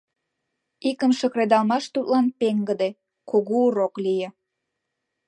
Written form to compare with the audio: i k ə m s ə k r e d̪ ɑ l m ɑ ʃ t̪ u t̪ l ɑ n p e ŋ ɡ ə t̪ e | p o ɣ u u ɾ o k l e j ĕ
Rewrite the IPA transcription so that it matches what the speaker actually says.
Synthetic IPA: i k ə m ʃ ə k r e d̪ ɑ l m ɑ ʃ t̪ u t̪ l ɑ n p e ŋ ɡ ə d̪ e | k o ɣ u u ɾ o k l i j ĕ